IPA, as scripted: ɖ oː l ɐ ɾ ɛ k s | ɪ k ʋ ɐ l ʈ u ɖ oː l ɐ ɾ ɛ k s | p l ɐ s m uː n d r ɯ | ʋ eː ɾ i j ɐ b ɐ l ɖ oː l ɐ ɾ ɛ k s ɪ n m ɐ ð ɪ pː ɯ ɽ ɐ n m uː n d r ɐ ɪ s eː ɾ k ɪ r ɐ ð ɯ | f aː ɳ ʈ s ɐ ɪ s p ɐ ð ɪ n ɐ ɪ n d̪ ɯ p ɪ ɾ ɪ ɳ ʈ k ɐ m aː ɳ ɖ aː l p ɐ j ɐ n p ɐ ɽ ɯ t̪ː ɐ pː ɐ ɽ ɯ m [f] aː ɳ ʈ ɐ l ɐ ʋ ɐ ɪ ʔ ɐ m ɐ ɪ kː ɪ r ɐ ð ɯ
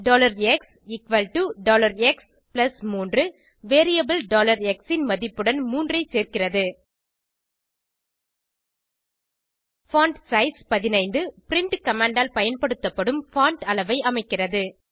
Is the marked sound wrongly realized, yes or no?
no